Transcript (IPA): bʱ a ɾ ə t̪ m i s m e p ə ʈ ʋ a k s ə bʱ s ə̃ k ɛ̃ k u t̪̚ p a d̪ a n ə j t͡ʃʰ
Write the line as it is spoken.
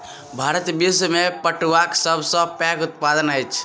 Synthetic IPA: bʱ a ɾ ə t̪ b i s m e p ə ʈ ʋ a k s ə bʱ s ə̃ p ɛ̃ k u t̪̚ p a d̪ ə n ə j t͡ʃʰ

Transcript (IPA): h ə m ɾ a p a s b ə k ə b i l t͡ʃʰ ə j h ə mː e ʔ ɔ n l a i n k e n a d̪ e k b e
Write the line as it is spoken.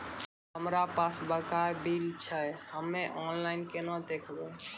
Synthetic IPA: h ə m ɾ a p a s b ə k a b i l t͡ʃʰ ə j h ə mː e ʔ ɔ n l a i n k e n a d̪ e kʰ b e

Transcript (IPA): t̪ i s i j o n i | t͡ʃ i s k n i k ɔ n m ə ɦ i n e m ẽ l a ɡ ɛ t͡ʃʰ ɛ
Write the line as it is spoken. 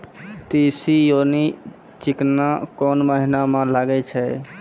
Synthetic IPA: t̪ i s i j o n i | t͡ʃ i k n a k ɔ n m ə ɦ i n a m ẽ l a ɡ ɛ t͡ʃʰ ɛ

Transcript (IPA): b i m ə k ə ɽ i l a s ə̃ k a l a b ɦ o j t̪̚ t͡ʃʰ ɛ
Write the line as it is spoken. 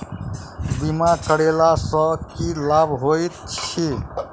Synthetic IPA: b i m a k ə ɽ e l a s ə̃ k i l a b ɦ o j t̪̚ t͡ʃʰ i

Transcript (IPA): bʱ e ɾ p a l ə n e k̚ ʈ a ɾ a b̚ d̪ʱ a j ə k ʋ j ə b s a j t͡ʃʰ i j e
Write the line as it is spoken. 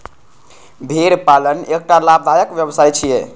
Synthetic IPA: bʱ e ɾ p a l ə n e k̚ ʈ a l a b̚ d̪ʱ a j ə k ʋ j ə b s a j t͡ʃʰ i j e

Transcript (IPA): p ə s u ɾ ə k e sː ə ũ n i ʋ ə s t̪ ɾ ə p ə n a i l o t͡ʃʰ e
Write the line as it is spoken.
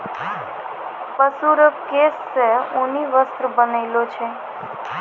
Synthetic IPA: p ə s u ɾ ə k e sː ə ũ n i ʋ ə s t̪ ɾ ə b ə n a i l o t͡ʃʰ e

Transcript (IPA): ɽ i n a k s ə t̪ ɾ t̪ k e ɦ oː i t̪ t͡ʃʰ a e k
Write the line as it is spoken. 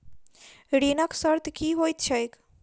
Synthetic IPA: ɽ i n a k s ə ɾ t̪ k i ɦ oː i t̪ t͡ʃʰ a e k

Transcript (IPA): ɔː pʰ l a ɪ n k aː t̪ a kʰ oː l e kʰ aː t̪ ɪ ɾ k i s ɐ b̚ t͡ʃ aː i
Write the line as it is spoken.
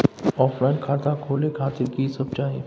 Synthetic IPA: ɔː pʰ l a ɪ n kʰ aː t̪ a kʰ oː l e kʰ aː t̪ ɪ ɾ k i s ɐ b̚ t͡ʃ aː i

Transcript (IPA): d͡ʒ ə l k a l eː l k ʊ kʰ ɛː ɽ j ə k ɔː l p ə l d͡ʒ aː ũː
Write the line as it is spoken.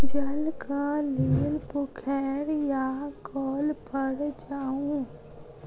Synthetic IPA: d͡ʒ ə l k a l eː l p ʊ kʰ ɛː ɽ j a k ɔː l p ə ɽ d͡ʒ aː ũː

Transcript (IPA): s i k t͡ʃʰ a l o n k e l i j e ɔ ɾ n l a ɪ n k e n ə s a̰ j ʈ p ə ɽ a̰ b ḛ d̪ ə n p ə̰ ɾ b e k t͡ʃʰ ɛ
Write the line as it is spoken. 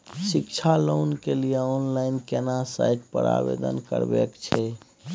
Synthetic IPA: s i k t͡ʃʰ a l o n k e l i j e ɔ n l a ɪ n k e n a s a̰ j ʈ p ə ɾ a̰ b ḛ d̪ ə n k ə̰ ɾ b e k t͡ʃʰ ɛ

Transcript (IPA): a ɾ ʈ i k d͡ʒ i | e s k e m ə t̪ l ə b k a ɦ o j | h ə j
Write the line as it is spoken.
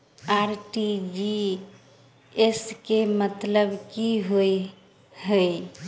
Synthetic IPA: a ɾ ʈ i d͡ʒ i | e s k e m ə t̪ l ə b k i ɦ o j | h ə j

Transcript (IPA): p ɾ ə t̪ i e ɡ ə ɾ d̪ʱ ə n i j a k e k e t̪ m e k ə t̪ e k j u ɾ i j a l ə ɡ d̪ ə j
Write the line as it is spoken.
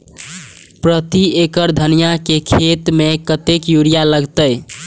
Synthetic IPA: p ɾ ə t̪ i e k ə ɾ d̪ʱ ə n i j a k e kʰ e t̪ m e k ə t̪ e k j u ɾ i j a l ə ɡ t̪ ə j

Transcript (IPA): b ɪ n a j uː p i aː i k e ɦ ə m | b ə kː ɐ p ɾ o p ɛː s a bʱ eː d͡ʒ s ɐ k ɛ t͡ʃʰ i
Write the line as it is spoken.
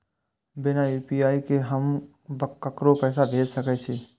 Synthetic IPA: b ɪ n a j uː p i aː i k e ɦ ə m | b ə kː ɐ k ɾ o p ɛː s a bʱ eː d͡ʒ s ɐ k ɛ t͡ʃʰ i

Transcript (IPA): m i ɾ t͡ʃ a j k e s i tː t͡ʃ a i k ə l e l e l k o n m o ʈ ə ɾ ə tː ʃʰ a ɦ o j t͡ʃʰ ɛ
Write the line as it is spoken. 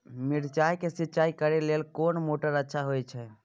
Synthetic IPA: m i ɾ t͡ʃ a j k e s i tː t͡ʃ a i k ə ɾ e l e l k o n m o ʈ ə ɾ ə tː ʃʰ a ɦ o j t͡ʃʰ ɛ

